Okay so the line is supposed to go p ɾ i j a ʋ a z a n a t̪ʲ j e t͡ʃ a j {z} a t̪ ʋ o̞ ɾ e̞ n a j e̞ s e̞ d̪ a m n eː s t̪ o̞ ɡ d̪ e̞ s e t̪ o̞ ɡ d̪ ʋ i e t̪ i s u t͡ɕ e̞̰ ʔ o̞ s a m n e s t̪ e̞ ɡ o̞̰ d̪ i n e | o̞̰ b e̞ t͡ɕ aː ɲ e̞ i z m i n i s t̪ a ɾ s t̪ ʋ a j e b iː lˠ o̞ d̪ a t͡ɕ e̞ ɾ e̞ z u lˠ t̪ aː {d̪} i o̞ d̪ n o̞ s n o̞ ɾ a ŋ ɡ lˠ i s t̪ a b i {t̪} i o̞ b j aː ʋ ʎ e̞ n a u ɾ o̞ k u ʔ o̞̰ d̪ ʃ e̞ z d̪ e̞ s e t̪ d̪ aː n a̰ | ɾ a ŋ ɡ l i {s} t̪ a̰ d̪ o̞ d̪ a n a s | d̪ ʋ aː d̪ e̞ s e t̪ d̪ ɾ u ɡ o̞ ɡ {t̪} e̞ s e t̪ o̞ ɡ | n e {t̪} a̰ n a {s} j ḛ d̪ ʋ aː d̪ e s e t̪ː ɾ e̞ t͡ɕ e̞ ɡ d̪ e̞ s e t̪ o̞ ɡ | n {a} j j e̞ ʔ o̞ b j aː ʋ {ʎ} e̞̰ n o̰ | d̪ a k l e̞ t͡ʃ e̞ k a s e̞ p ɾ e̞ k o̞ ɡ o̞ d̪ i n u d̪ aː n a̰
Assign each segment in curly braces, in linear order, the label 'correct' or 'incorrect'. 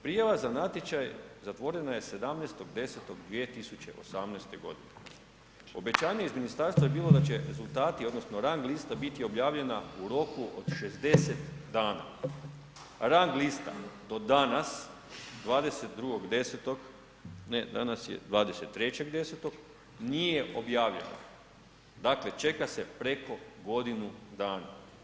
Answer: correct, incorrect: t̪, correct, correct, incorrect: d̪, incorrect: d̪, correct, incorrect: i, correct

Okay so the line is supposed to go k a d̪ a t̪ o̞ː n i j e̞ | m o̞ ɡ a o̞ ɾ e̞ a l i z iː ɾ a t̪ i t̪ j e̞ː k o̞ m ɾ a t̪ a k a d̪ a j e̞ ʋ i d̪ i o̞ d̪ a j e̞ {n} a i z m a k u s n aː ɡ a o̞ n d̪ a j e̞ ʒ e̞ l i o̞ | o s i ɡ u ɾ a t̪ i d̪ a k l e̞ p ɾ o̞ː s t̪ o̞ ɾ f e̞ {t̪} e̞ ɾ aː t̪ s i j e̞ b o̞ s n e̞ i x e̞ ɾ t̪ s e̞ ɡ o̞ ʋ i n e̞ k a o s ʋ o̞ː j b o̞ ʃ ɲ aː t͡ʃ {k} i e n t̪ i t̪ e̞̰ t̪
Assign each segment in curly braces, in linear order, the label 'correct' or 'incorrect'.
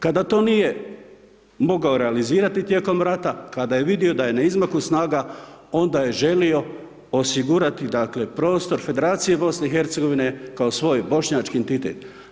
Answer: correct, incorrect: d̪, correct

